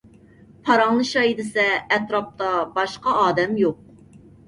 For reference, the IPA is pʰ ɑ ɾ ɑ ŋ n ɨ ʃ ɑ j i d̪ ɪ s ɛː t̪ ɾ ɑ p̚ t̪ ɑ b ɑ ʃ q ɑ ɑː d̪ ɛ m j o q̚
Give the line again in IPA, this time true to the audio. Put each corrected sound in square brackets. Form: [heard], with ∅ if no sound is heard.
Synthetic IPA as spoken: pʰ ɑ ɾ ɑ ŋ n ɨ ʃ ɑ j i d̪ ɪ s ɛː t̪ ɾ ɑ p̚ t̪ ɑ b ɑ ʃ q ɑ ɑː d̪ ɛ m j o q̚